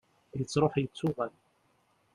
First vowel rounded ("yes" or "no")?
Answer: no